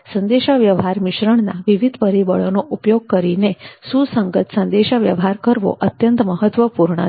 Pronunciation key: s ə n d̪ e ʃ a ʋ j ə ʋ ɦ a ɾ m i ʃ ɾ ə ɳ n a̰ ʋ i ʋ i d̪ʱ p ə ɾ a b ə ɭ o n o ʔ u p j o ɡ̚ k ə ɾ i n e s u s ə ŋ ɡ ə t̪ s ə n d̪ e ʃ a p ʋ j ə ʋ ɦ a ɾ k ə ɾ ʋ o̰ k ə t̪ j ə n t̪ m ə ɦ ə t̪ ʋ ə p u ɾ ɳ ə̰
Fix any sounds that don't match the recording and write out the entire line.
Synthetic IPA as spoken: s ə n d̪ e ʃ a ʋ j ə ʋ ɦ a ɾ m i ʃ ɾ ə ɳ n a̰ ʋ i ʋ i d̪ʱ p ə ɾ i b ə ɭ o n o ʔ u p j o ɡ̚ k ə ɾ i n e s u s ə ŋ ɡ ə t̪ s ə n d̪ e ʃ a ʋ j ə ʋ ɦ a ɾ k ə ɾ ʋ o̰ ʔ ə t̪ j ə n t̪ m ə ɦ ə t̪ ʋ ə p u ɾ ɳ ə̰